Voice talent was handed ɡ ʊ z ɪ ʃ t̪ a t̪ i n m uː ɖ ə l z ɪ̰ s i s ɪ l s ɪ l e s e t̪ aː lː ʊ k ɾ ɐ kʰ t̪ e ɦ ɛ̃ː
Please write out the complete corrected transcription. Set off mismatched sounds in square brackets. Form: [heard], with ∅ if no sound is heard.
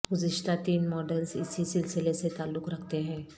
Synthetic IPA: ɡ ʊ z ɪ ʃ t̪ a t̪ [iː] n m [ɔː] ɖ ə l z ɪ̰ s i s ɪ l s ɪ l e s e t̪ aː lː ʊ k ɾ ɐ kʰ t̪ e ɦ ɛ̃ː